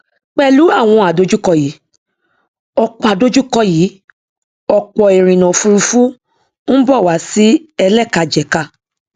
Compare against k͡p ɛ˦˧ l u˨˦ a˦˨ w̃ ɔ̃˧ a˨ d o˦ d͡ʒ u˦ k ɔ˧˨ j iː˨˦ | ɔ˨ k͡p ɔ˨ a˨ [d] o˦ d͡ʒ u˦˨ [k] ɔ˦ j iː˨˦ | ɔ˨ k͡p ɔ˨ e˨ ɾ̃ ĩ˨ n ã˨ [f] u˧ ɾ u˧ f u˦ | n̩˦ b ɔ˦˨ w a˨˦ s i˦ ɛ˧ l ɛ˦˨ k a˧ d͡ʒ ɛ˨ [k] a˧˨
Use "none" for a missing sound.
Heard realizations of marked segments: d, k, f, k

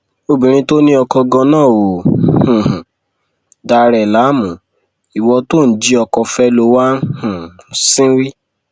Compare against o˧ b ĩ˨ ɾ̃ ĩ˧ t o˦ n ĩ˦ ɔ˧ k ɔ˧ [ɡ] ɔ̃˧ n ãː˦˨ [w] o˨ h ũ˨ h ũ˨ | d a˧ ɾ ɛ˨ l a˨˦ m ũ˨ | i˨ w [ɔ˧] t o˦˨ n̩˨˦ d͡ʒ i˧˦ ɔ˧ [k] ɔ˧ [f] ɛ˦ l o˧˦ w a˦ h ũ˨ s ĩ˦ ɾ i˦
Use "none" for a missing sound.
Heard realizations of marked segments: ɡ, w, ɔ˧, k, f

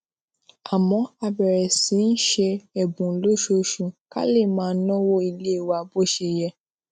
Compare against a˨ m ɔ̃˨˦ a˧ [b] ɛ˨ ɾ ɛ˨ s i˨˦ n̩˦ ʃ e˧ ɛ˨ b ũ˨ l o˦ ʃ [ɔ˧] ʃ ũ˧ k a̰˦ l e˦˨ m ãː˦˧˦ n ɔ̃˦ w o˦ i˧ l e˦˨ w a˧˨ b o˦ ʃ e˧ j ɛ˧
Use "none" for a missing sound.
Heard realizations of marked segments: b, o˧

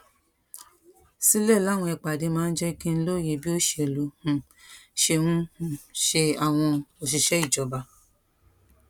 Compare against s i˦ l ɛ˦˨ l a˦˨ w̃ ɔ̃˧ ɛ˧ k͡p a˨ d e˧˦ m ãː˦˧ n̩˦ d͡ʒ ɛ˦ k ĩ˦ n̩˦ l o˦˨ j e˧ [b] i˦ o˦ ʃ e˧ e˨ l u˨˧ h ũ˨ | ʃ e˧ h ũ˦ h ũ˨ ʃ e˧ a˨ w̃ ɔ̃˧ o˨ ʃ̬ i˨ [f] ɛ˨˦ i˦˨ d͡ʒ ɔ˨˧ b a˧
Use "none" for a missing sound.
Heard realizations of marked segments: b, ʃ

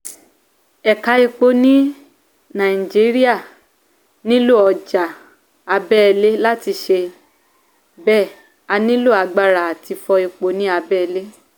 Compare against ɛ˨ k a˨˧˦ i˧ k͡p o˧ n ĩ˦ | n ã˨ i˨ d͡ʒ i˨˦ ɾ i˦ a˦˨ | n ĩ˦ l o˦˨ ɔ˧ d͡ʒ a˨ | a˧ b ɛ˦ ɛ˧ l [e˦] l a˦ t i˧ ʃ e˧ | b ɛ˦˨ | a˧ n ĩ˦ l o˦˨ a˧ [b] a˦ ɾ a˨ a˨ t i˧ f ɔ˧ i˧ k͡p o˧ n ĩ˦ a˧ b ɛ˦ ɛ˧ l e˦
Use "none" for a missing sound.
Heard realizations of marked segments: e˦, ɡ͡b

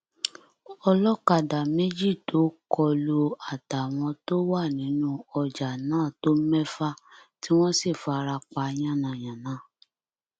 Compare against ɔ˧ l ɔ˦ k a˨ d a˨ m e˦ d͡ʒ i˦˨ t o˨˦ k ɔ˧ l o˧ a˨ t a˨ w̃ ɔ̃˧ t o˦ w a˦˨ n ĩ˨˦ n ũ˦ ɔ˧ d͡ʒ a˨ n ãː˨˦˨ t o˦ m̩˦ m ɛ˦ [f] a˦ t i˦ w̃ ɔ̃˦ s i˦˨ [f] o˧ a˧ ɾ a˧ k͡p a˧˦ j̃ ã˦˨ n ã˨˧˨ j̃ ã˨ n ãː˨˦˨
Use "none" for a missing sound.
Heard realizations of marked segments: f, f

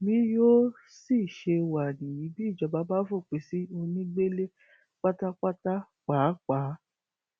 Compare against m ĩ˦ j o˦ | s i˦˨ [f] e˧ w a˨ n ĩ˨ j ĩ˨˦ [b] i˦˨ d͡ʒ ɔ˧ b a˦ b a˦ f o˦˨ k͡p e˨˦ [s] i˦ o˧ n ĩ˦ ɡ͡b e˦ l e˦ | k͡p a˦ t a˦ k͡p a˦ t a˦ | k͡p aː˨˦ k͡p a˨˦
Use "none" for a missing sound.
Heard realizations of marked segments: ʃ, b, s

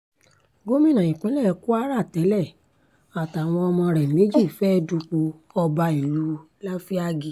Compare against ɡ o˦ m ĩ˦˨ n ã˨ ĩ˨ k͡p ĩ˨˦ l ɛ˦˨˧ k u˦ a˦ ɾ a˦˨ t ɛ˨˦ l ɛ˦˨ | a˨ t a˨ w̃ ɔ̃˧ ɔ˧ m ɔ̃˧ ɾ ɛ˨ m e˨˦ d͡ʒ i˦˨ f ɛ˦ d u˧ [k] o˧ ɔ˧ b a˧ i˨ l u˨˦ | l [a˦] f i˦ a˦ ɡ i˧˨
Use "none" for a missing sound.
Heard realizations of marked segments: k͡p, a˦

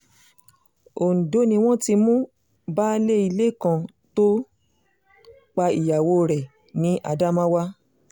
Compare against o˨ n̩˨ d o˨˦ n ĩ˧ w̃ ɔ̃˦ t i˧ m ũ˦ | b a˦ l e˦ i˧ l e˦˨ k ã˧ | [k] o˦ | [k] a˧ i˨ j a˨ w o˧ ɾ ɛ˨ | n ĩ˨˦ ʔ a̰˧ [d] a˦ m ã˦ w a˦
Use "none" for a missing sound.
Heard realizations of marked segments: t, k͡p, d

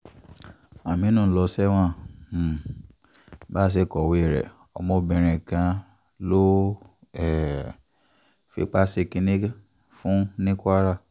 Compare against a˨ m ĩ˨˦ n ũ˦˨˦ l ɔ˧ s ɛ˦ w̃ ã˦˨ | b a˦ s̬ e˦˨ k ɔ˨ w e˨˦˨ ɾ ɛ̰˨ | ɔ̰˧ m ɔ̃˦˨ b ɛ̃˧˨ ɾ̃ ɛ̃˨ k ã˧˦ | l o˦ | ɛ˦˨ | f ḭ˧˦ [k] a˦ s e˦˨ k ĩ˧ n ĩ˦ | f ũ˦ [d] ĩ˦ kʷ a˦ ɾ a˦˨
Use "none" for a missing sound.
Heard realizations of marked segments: k͡p, n

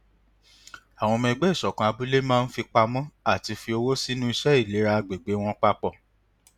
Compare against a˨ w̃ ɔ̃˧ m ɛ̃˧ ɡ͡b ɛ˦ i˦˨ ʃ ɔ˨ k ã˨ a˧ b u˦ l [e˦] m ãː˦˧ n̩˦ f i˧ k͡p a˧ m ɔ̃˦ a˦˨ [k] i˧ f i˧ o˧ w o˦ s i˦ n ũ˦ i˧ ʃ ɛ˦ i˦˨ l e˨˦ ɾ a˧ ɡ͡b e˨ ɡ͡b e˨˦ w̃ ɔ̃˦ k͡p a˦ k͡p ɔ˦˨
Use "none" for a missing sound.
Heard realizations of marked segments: e˦, t

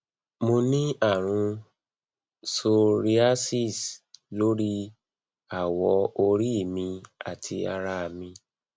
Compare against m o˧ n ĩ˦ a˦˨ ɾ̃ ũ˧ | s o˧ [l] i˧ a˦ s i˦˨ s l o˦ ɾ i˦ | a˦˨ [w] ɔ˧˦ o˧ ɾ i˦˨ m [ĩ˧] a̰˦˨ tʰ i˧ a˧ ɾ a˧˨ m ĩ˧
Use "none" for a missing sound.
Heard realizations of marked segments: ɾ, w, ĩ˧

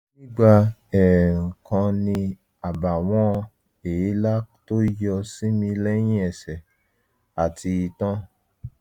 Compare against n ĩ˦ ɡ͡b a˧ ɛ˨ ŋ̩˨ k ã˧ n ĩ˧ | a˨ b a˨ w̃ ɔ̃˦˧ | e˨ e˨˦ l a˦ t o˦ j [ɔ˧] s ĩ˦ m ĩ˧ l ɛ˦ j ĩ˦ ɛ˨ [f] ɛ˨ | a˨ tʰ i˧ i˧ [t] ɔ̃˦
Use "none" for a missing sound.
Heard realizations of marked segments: ɔ˧, s, t

